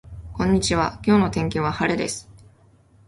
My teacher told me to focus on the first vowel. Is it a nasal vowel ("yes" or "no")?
yes